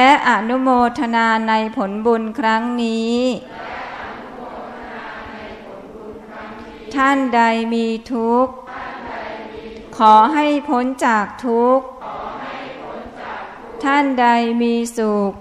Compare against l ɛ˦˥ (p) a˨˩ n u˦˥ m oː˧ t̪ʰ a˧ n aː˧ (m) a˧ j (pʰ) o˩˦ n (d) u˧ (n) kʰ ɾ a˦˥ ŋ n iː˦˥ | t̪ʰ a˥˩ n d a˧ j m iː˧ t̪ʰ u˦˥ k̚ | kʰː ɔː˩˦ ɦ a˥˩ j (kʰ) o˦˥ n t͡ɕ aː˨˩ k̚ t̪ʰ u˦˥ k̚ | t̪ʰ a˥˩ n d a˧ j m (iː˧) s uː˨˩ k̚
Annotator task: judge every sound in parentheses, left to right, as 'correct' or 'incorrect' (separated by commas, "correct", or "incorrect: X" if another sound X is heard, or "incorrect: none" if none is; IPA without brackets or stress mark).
incorrect: ʔ, incorrect: n, correct, incorrect: b, correct, incorrect: pʰ, correct